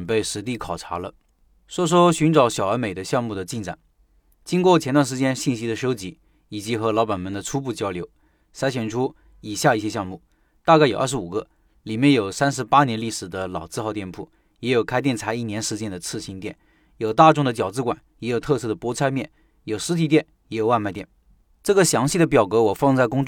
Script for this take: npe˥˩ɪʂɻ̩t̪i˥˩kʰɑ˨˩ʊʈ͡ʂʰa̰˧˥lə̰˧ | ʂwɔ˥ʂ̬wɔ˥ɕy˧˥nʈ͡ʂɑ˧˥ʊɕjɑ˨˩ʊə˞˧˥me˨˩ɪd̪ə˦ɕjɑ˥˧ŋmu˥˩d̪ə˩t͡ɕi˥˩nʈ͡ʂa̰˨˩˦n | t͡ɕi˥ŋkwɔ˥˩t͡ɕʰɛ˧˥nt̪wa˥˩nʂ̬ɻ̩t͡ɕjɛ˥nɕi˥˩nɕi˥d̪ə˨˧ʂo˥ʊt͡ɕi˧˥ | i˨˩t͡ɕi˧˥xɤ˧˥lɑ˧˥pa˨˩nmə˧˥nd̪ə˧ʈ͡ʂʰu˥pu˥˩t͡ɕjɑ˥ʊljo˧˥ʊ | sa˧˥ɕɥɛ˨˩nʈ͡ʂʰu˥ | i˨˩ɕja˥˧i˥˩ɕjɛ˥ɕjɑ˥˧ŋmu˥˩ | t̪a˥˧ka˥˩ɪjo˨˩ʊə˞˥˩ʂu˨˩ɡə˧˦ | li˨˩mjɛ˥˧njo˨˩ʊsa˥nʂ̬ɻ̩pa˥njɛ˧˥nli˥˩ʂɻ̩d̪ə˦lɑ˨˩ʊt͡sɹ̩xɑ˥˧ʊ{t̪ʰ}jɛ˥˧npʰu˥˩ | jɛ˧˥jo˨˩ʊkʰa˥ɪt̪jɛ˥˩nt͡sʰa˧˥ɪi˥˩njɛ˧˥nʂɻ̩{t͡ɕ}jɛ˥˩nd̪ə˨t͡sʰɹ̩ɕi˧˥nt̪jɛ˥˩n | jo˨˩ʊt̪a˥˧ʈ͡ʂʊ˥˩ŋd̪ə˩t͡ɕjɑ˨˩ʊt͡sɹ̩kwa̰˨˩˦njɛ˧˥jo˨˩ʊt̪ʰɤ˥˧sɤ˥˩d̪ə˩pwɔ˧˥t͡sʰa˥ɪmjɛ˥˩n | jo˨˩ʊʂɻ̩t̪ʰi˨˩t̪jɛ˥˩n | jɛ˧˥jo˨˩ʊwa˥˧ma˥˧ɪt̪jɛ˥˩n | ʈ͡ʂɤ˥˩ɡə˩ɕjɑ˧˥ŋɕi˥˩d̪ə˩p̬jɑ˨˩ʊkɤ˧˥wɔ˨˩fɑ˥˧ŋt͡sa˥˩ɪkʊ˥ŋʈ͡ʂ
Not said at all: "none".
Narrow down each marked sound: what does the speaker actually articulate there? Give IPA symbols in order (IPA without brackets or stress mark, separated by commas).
t̪, t͡ɕ